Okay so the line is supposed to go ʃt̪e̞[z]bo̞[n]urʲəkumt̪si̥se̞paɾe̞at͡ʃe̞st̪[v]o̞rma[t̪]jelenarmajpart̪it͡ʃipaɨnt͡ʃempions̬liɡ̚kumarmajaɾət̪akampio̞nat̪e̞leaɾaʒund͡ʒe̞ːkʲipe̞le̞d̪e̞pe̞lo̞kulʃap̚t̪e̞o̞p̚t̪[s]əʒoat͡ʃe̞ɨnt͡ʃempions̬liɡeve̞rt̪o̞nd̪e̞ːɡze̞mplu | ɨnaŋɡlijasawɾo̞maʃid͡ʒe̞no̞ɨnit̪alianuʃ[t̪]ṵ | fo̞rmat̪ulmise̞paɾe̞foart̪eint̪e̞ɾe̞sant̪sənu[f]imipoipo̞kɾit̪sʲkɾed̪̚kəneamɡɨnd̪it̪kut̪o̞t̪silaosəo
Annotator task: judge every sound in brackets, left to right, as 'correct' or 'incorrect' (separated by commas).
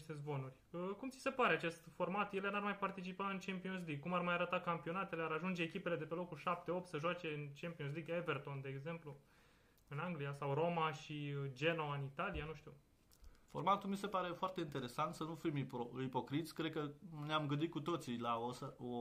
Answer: correct, correct, incorrect, correct, correct, correct, correct